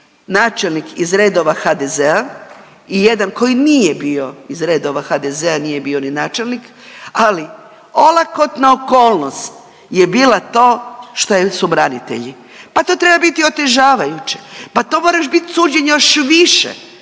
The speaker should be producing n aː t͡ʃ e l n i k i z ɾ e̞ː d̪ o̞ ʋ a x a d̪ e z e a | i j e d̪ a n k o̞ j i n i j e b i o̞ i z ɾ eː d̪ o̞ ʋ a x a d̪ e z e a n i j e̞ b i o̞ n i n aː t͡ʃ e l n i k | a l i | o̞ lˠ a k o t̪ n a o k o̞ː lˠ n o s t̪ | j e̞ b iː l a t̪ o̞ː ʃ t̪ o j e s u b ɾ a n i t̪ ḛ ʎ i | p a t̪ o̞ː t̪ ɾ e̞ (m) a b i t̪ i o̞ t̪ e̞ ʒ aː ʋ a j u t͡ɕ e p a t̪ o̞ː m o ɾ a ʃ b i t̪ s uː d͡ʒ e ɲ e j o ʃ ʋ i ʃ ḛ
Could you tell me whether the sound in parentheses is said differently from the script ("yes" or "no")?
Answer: yes